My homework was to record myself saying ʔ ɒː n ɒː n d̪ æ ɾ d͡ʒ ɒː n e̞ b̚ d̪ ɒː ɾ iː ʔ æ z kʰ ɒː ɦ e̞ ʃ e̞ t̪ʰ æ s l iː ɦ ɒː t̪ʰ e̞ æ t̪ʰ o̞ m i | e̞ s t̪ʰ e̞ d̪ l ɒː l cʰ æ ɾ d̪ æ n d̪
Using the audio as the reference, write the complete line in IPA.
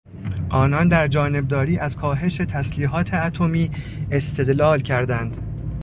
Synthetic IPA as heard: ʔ ɒː n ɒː n d̪ æ ɾ d͡ʒ ɒː n e̞ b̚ d̪ ɒː ɾ iː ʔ æ z kʰ ɒː ɦ e̞ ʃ e̞ t̪ʰ æ s l iː ɦ ɒː t̪ʰ e̞ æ t̪ʰ o̞ m iː | e̞ s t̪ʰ e̞ d̪ l ɒː l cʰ æ ɾ d̪ æ n d̪